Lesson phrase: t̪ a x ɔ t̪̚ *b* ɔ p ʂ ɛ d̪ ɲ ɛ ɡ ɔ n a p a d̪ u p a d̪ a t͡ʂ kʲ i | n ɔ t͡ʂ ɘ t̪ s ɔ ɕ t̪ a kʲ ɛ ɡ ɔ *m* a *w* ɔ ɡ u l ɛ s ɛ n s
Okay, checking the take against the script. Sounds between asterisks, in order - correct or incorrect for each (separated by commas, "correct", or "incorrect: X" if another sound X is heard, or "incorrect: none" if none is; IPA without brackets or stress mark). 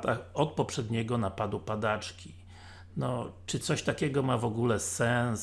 incorrect: p, correct, incorrect: v